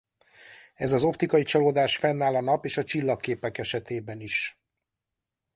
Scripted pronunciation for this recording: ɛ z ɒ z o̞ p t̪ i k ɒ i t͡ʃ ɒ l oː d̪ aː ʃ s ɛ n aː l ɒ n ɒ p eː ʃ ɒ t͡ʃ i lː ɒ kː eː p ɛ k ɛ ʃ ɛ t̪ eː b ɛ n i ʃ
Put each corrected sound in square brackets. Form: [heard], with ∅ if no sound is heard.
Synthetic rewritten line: ɛ z ɒ z o̞ p t̪ i k ɒ i t͡ʃ ɒ l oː d̪ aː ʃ [f] ɛ [nː] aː l ɒ n ɒ p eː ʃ ɒ t͡ʃ i lː ɒ kː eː p ɛ k ɛ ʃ ɛ t̪ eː b ɛ n i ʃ